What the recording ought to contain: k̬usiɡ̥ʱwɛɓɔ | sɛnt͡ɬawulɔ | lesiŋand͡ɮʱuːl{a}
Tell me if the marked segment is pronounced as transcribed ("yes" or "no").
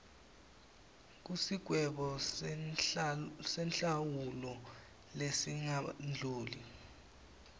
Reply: no